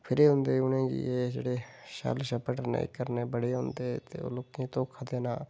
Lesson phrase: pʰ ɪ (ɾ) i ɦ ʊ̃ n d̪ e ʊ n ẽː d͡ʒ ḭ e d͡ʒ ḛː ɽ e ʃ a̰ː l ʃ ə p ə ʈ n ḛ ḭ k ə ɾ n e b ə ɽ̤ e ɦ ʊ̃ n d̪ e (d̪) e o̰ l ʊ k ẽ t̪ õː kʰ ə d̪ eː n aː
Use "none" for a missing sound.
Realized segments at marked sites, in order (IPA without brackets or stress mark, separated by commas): ɾ, t̪